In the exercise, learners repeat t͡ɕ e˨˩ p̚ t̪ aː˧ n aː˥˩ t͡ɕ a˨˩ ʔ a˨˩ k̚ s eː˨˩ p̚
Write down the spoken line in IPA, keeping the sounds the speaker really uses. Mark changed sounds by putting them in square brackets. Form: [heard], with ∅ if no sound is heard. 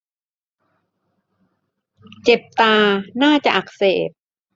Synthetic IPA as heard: t͡ɕ e˨˩ p̚ t̪ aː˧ n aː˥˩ t͡ɕ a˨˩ ʔ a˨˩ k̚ s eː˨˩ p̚